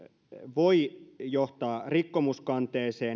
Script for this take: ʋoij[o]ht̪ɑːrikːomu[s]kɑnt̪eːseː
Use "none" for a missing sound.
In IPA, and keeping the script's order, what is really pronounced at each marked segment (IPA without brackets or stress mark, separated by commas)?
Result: o, s